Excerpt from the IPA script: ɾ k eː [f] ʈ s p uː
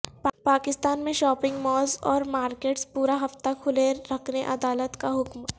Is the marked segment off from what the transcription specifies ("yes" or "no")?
yes